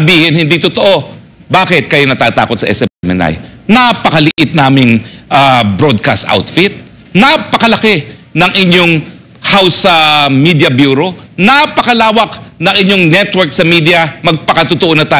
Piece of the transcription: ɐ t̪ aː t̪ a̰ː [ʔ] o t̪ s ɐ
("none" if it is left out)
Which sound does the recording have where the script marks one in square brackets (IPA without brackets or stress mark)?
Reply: k